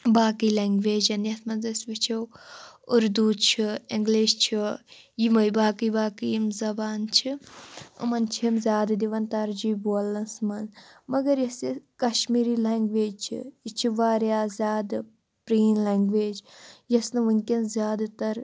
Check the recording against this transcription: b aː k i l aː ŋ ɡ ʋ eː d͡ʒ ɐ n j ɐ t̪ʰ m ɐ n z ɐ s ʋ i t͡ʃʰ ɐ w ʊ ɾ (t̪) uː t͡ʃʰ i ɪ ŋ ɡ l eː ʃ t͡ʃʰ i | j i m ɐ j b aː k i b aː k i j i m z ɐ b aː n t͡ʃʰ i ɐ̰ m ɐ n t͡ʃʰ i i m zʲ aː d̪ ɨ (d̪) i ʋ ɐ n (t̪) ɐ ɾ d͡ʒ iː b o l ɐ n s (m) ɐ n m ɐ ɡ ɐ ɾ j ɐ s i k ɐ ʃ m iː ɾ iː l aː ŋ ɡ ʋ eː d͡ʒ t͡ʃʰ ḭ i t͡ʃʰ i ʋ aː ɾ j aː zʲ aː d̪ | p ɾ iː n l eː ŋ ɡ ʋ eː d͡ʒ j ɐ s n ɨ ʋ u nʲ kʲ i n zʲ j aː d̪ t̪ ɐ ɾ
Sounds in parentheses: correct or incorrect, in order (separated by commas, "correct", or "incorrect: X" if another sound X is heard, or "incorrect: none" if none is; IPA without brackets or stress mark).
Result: incorrect: d̪, correct, correct, correct